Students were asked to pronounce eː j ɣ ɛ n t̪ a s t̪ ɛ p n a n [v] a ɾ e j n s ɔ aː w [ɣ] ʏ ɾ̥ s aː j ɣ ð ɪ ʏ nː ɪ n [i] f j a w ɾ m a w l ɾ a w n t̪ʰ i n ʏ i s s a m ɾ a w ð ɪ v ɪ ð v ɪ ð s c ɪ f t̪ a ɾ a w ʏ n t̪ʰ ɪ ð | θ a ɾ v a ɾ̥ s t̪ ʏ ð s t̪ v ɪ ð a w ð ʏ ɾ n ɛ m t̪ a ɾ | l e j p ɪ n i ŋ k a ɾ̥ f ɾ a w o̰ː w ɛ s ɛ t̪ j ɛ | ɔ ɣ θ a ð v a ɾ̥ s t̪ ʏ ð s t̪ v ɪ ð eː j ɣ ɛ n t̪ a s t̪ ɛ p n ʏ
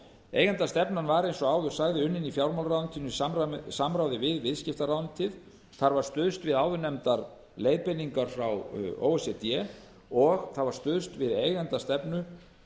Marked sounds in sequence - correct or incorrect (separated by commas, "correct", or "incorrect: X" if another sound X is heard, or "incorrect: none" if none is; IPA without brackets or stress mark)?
correct, incorrect: ð, correct